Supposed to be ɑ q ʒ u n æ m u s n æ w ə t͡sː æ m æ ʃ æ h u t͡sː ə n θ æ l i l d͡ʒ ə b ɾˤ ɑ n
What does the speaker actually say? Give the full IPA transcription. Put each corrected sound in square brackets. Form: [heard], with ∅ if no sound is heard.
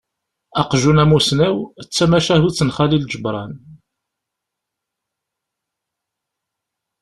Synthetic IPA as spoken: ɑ q ʒ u n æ m u s n æ w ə t͡sː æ m æ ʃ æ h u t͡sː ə n [χ] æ l i l d͡ʒ ə b ɾˤ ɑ n